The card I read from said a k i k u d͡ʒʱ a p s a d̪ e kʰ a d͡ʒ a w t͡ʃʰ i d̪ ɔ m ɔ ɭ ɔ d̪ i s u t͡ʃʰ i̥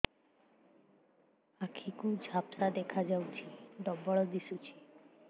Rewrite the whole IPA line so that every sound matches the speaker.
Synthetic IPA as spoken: a kʰ i k u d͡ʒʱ a p s a d̪ e kʰ a d͡ʒ a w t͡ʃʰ i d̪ ɔ b ɔ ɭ ɔ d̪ i s u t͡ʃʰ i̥